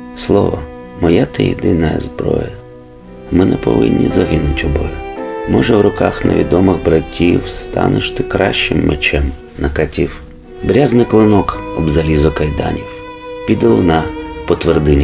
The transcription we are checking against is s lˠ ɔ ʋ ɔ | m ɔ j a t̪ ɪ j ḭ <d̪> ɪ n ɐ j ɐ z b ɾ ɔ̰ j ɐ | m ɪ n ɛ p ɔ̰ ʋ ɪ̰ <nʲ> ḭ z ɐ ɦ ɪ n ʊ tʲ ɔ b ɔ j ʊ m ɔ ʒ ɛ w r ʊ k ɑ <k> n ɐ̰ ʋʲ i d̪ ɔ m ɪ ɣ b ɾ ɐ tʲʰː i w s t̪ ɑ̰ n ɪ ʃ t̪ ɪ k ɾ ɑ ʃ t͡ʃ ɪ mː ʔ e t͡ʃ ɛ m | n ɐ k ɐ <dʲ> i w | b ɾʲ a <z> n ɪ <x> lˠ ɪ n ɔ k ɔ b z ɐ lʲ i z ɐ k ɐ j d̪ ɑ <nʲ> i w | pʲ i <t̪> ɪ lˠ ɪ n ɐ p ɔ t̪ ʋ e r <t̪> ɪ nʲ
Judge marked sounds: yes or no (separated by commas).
yes, no, no, no, yes, no, yes, no, no